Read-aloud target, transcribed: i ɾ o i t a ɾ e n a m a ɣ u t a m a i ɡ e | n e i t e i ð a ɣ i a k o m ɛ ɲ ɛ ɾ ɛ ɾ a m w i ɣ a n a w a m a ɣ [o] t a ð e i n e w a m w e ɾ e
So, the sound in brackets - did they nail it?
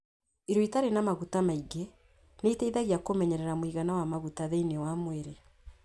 no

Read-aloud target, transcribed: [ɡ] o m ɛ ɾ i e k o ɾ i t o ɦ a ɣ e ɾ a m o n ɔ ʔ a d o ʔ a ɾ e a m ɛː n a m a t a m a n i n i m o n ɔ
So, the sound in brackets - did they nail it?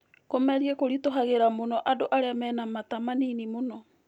no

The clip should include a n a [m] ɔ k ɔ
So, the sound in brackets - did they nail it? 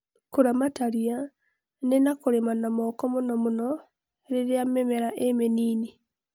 yes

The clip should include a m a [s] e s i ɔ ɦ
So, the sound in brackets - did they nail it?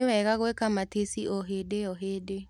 no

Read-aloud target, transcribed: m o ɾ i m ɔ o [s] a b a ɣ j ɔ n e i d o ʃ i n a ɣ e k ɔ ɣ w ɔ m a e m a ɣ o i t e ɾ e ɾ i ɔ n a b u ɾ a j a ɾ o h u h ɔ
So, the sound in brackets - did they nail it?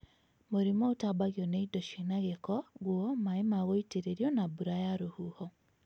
no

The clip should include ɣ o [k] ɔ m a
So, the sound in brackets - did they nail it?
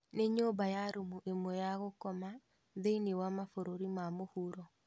yes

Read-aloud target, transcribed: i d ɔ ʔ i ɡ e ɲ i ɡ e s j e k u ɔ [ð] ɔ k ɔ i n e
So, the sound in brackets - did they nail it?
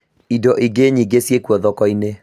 yes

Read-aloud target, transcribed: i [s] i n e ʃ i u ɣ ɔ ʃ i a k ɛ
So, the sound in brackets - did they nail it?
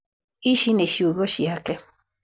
no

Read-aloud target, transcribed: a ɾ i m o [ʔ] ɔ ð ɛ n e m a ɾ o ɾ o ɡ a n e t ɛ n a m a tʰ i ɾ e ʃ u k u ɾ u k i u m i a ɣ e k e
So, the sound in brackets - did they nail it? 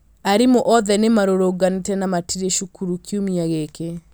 yes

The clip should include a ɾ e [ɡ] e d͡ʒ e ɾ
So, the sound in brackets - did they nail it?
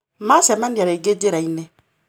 yes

